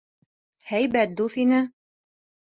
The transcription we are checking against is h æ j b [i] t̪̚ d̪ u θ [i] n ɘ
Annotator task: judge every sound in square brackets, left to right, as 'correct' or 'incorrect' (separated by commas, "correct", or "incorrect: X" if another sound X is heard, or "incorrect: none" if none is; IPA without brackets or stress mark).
incorrect: æ, correct